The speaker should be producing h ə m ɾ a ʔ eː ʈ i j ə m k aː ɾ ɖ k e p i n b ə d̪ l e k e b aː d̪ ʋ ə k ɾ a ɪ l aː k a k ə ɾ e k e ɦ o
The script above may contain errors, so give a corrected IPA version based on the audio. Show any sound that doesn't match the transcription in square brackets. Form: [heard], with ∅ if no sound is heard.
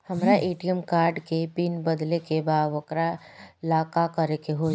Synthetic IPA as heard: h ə m ɾ a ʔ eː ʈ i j ə m k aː ɾ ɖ k e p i n b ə d̪ l e k e b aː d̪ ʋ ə k ɾ a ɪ l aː k a k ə ɾ e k e ɦ o